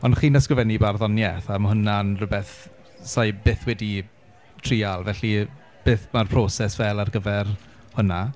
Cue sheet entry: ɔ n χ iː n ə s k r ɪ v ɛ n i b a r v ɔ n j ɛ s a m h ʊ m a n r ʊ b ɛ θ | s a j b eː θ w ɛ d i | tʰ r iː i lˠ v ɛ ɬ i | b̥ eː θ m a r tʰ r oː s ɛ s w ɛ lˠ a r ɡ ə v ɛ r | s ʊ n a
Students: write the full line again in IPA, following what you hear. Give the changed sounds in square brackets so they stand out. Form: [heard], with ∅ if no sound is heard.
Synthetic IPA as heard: ɔ n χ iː n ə s k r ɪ v ɛ n i b a r [ð] ɔ n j ɛ [θ] a m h ʊ [n] a n r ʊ b ɛ θ | s a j b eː θ w ɛ d i | tʰ r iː [a] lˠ v ɛ ɬ i | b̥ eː θ m a r [pʰ] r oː s ɛ s [v] ɛ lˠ a r ɡ ə v ɛ r | [h] ʊ n a